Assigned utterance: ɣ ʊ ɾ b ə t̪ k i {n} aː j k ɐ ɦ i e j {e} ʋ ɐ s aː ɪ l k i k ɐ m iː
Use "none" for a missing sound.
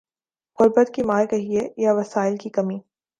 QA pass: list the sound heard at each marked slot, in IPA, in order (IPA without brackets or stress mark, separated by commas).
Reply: m, a